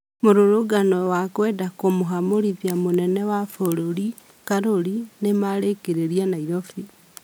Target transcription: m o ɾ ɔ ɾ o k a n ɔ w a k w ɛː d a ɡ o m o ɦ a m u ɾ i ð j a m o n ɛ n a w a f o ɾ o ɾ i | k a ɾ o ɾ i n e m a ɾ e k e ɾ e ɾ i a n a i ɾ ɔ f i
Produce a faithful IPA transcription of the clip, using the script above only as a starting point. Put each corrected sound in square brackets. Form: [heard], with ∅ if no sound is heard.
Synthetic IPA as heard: m o ɾ [o] ɾ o [ɡ] a n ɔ w a k w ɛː d a [k] o m o ɦ a m [o] ɾ i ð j a m o n ɛ n [ɛ] w a f o ɾ o ɾ i | k a ɾ o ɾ i n e m a ɾ e k e ɾ e ɾ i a n a i ɾ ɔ f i